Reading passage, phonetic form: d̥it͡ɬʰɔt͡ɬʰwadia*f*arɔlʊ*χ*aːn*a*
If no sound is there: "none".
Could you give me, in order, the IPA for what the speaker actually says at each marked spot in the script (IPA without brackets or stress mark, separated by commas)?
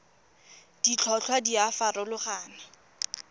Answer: f, χ, a